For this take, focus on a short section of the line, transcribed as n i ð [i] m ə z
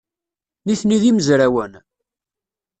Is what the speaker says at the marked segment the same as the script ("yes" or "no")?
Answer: yes